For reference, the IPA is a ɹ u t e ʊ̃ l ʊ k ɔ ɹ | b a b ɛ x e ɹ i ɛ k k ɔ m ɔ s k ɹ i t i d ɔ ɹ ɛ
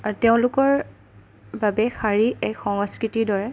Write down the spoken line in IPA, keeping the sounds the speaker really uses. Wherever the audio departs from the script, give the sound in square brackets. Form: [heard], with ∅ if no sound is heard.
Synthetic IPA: a ɹ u t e ʊ̃ l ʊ k ɔ ɹ | b a b ɛ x [a] ɹ i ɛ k [x] ɔ [ŋ] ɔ s k ɹ i t i d ɔ ɹ ɛ